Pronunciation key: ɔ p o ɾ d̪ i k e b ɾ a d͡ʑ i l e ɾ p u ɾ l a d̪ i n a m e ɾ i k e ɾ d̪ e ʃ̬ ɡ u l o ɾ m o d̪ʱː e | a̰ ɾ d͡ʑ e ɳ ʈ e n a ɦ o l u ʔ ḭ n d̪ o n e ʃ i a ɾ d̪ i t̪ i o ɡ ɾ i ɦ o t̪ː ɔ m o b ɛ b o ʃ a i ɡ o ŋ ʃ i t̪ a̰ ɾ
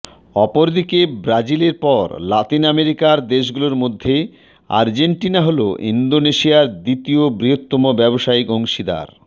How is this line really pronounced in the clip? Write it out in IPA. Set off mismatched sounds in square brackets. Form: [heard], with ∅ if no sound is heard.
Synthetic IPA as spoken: ɔ p o ɾ d̪ i k e b ɾ a d͡ʑ i l e ɾ p [ɔ] ɾ l a [t̪] i n a m e ɾ i k [a] ɾ d̪ e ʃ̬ ɡ u l o ɾ m o d̪ʱː e | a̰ ɾ d͡ʑ e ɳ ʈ [i] n a ɦ o l [o] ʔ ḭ n d̪ o n e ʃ i a ɾ d̪ i t̪ i o [b] ɾ i ɦ o t̪ː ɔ m o b ɛ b o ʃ a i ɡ o ŋ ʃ i [d̪] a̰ ɾ